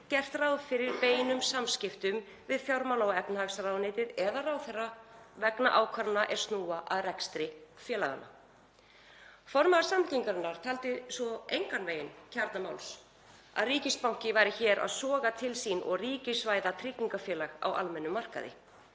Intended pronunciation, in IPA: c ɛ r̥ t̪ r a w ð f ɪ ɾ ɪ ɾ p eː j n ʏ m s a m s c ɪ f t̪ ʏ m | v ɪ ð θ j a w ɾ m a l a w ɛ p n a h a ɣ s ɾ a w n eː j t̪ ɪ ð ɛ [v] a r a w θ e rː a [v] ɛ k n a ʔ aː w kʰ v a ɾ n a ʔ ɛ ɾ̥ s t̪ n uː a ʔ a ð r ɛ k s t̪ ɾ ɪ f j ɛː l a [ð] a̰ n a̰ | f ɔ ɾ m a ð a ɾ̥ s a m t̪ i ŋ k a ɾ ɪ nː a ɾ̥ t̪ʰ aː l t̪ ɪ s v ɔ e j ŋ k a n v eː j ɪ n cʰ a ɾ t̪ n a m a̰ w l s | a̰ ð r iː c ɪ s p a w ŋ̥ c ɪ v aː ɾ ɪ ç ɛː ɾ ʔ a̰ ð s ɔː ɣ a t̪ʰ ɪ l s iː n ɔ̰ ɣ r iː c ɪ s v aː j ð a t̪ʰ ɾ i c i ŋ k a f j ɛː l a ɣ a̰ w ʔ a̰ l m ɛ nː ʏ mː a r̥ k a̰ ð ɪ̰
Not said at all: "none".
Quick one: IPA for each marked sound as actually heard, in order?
ð, v, ɣ

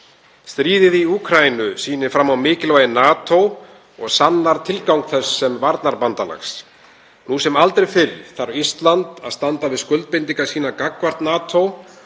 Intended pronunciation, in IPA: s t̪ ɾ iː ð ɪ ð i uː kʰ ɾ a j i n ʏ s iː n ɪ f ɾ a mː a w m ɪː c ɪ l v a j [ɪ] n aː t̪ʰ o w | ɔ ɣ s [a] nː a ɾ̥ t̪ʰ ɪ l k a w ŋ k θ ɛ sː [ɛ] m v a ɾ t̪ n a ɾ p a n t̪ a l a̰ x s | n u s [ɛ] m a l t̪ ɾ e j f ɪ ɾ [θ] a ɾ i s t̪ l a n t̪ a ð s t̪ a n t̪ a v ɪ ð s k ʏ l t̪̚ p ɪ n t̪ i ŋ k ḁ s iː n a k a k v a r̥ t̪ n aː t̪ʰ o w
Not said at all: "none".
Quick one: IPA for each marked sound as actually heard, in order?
ɪ, a, ɛ, ɛ, θ

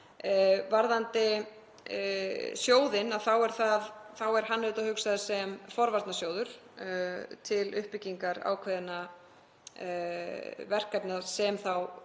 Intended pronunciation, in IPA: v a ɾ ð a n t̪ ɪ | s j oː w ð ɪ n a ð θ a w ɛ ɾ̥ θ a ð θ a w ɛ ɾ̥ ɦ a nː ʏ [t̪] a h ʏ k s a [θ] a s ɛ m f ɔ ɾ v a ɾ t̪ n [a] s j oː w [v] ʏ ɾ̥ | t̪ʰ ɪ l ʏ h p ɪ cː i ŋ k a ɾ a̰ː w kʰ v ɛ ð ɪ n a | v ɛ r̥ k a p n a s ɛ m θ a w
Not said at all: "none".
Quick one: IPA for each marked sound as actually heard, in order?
t̪, ð, a, ð

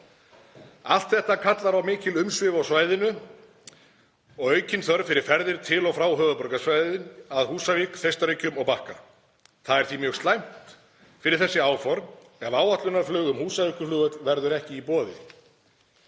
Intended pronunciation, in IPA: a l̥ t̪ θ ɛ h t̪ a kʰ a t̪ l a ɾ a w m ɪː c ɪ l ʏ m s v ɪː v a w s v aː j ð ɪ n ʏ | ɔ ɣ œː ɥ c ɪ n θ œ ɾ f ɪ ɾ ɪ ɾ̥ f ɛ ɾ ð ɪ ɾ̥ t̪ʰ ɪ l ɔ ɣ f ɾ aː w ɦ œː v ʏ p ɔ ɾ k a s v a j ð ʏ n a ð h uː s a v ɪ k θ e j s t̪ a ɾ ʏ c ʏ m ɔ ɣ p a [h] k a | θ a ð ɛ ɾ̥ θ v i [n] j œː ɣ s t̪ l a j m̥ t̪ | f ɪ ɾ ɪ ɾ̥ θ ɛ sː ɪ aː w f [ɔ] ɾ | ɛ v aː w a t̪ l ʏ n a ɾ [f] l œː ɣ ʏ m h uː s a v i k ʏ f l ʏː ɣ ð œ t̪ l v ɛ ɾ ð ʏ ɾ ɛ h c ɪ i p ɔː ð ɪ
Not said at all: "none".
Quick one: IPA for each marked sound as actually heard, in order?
h, m, ɔ, f

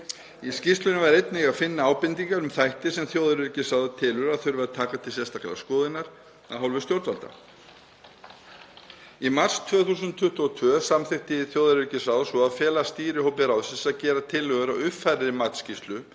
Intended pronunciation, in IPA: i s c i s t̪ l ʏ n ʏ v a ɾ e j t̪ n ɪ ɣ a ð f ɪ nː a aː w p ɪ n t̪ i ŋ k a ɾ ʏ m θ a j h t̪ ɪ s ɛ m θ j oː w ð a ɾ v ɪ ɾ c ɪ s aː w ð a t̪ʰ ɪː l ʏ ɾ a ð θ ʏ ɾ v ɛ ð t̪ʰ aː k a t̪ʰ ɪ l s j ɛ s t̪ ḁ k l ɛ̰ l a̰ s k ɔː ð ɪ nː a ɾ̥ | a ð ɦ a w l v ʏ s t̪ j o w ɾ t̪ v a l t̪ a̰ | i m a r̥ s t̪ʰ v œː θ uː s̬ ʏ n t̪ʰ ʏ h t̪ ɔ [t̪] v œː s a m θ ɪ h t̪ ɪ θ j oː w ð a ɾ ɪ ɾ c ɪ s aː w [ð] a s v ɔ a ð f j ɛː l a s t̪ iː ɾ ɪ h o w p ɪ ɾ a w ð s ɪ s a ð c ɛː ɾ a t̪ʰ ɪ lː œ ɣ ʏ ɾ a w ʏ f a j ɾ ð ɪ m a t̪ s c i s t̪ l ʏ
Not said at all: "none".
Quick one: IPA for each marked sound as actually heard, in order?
t̪ʰ, ð

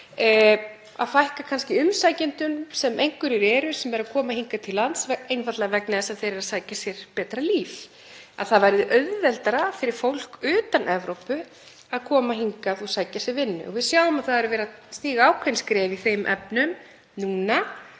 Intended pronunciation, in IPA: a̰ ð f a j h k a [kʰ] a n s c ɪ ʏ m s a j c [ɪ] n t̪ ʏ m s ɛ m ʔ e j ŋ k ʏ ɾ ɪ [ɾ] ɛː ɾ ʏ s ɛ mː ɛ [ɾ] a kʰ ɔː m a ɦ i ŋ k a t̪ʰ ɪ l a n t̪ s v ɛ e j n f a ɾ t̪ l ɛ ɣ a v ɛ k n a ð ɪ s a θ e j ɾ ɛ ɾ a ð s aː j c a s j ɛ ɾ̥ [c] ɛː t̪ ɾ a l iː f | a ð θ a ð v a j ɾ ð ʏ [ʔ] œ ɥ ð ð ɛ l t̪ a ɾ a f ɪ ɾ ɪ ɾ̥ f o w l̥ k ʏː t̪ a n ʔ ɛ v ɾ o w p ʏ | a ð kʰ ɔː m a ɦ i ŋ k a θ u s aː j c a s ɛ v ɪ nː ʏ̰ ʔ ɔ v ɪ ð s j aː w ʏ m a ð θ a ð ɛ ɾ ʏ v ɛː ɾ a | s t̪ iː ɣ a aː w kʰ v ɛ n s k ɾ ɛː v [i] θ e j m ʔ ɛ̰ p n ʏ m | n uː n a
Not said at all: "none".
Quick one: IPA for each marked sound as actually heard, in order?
kʰ, ɪ, ɾ, ɾ, p, ʔ, i

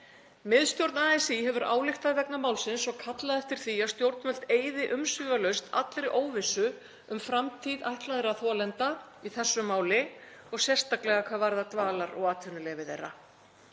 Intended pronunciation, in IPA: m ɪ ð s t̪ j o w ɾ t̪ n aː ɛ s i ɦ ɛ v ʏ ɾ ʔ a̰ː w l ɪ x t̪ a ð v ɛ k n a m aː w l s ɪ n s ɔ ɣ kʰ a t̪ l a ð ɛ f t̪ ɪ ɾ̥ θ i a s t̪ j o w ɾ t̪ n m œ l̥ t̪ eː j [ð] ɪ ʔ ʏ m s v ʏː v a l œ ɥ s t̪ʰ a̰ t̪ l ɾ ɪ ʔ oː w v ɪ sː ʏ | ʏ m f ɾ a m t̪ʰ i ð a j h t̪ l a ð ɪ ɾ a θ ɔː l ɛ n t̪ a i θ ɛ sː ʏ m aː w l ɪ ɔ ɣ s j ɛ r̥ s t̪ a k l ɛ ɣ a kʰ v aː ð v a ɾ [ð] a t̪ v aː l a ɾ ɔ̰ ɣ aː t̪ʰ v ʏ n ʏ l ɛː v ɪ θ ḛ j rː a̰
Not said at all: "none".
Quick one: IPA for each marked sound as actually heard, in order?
ð, ð

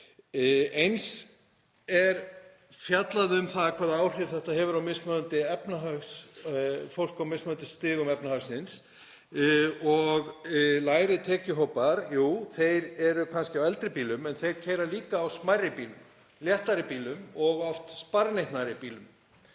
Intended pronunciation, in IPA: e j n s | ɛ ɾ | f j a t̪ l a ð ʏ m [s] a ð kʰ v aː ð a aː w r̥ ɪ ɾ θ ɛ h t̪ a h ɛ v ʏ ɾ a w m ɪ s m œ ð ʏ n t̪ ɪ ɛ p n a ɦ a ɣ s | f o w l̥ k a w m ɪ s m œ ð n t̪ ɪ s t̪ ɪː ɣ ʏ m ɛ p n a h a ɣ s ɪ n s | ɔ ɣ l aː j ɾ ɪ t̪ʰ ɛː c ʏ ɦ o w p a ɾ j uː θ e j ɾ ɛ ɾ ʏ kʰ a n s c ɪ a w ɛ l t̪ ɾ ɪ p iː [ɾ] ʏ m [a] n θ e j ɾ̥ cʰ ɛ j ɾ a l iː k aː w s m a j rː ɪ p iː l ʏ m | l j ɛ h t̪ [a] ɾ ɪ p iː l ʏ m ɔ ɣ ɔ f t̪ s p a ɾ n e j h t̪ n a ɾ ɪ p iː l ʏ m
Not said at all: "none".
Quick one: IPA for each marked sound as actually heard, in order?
θ, l, ɛ, a

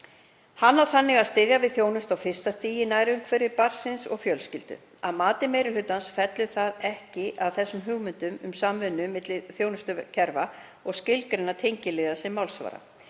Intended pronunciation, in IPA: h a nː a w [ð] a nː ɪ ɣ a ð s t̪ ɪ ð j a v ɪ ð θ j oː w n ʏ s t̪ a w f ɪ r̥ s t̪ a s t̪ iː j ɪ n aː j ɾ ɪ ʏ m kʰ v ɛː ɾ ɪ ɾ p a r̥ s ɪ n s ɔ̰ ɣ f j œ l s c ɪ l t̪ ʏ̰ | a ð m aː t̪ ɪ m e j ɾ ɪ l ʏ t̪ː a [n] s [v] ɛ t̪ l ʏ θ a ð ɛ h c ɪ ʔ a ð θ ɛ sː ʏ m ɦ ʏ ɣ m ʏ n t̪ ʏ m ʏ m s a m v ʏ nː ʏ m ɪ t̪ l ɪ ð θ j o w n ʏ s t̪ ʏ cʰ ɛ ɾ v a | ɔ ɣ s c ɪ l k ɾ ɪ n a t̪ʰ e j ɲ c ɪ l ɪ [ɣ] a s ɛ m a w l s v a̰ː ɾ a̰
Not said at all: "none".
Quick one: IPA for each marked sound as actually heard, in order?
θ, n, f, ð

